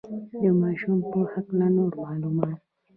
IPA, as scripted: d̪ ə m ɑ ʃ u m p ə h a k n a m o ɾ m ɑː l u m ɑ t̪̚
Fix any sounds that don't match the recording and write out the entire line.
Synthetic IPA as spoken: d̪ ə m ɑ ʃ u m p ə h a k n a n o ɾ m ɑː l u m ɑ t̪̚